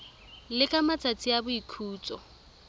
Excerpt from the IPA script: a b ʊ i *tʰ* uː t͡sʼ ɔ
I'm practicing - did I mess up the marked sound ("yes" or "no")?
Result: yes